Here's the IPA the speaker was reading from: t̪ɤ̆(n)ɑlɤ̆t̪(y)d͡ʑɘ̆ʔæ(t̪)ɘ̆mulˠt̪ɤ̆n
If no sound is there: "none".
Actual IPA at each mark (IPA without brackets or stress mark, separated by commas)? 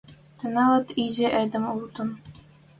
n, i, d̪